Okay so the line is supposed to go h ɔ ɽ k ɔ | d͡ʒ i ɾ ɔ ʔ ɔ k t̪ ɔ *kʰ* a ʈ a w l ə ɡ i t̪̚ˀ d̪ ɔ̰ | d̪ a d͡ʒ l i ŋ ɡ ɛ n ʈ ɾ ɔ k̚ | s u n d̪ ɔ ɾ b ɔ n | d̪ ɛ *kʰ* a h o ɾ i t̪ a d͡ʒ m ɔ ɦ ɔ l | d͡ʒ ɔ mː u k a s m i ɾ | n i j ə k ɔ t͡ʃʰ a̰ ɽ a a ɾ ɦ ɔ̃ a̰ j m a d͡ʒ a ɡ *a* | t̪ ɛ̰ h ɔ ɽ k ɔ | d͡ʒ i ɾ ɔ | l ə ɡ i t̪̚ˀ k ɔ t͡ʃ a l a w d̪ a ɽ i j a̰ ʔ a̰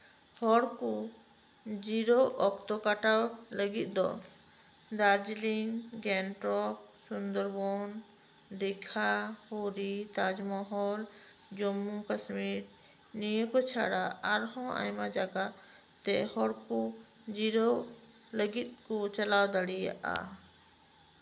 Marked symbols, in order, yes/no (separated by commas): no, yes, yes